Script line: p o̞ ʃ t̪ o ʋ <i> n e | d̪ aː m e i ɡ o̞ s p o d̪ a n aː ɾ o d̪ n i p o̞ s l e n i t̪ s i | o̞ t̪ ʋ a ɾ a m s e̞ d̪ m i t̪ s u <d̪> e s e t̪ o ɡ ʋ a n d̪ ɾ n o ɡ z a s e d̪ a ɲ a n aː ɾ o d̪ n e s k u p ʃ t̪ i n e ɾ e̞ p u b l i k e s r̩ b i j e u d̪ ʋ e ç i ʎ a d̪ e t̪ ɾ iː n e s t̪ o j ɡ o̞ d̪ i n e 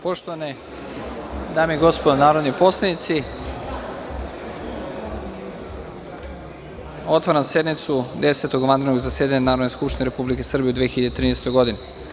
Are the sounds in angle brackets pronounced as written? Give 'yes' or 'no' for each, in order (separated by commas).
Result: no, yes